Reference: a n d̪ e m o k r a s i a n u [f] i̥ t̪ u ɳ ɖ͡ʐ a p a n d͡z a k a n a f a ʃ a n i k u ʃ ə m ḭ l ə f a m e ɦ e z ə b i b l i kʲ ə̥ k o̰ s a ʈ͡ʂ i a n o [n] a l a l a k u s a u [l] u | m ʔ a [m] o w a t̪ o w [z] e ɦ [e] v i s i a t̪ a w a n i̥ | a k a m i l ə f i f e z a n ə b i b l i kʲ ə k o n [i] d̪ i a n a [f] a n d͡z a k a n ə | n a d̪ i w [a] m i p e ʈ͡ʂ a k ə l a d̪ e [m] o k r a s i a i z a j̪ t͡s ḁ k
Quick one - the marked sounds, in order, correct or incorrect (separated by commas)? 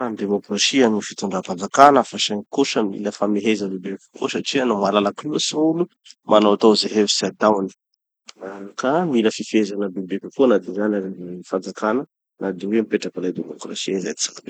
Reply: correct, incorrect, correct, incorrect, correct, correct, incorrect, correct, incorrect, correct